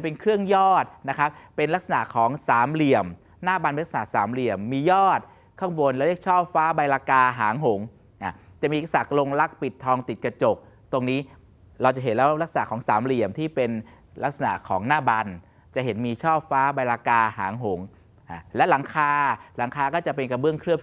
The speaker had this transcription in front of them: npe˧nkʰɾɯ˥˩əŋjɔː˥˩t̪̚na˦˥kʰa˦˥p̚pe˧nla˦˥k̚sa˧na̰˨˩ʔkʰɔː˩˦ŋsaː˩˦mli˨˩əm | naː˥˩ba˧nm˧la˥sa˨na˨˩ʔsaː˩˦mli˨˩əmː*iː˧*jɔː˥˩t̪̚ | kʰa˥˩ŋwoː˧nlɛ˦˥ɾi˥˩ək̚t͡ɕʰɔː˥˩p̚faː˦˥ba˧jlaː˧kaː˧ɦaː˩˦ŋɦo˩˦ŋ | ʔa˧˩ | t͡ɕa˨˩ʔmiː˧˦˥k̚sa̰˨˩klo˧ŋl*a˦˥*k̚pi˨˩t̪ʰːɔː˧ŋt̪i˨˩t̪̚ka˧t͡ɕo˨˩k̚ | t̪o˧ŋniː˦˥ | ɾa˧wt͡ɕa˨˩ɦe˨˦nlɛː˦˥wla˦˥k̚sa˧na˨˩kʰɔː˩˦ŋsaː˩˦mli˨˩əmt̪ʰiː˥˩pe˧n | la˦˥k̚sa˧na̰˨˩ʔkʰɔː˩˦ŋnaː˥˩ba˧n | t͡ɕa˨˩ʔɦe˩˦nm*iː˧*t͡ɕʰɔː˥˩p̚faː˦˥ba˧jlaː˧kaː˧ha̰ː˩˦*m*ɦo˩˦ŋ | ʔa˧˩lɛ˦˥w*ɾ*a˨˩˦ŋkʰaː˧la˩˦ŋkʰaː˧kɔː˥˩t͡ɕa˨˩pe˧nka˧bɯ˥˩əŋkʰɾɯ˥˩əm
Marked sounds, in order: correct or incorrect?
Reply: correct, correct, correct, incorrect, incorrect

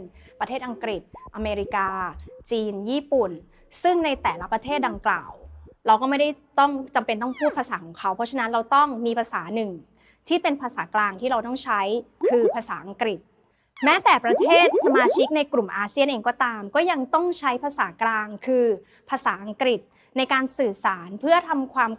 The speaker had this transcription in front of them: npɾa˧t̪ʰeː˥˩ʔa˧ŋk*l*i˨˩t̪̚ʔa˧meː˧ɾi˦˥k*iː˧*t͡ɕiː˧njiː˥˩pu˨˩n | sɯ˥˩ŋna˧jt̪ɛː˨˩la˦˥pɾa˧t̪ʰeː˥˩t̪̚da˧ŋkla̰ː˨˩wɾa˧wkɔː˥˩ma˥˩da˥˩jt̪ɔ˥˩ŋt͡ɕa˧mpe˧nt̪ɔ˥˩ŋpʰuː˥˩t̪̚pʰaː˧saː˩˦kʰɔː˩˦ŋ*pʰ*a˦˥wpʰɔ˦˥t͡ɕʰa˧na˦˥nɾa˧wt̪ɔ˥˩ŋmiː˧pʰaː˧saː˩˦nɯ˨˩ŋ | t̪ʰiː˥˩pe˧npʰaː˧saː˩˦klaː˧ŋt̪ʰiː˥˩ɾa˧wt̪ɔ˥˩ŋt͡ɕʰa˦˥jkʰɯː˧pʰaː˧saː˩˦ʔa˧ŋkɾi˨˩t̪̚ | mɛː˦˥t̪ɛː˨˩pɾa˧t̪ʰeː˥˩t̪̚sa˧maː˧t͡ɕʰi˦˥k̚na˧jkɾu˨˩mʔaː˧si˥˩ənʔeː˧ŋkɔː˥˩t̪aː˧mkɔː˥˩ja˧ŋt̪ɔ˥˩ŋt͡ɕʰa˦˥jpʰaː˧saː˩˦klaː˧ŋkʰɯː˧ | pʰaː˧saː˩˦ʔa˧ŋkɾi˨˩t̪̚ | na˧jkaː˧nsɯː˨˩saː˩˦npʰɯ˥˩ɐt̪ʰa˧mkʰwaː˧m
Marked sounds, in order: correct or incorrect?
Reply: incorrect, incorrect, incorrect

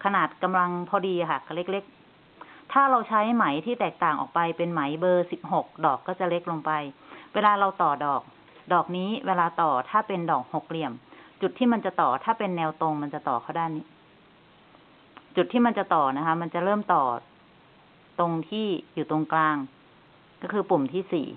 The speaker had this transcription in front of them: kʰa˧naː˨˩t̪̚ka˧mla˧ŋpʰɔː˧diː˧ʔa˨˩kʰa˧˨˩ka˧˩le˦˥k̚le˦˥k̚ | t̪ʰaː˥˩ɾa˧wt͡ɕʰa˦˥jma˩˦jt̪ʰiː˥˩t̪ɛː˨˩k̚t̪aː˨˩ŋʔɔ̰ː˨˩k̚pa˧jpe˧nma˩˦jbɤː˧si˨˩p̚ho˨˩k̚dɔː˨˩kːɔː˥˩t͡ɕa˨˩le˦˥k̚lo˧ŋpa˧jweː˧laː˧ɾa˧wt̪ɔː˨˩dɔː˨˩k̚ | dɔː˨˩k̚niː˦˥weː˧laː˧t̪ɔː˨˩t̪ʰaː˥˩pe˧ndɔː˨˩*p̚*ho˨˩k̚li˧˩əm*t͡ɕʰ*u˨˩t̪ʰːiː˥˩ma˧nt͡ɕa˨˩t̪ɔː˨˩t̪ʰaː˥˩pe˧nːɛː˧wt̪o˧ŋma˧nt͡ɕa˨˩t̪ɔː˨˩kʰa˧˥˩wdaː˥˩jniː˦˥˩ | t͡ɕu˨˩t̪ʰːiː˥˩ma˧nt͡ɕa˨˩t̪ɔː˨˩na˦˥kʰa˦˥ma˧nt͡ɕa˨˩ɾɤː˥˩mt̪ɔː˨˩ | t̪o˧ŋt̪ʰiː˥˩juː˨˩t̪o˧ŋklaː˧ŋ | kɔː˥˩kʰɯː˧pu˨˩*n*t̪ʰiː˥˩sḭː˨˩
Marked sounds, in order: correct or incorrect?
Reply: incorrect, incorrect, incorrect

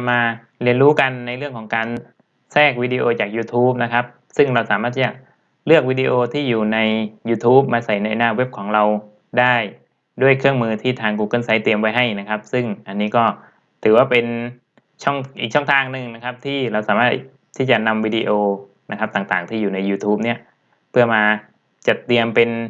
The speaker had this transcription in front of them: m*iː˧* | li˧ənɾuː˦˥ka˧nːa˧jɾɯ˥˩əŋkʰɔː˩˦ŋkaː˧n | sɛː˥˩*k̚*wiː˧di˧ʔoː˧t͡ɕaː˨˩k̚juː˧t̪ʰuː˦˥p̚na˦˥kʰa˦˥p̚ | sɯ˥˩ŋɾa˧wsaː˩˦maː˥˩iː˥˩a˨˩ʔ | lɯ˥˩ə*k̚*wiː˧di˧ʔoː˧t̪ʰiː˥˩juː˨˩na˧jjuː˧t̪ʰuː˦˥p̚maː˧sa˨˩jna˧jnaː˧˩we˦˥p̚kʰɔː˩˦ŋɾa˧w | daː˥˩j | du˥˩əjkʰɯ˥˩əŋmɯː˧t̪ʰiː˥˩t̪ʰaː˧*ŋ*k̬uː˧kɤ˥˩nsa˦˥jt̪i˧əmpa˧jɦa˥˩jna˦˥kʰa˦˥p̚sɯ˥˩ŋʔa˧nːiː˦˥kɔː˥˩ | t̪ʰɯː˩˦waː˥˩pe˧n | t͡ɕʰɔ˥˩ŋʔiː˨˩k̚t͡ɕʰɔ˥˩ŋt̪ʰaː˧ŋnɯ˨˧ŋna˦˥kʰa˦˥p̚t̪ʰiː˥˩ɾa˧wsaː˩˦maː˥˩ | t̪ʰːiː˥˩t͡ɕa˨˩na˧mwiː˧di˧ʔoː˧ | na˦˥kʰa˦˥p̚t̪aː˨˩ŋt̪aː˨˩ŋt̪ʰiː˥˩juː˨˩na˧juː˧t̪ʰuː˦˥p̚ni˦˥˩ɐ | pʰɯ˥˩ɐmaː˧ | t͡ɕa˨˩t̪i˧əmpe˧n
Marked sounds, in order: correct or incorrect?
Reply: incorrect, correct, correct, correct

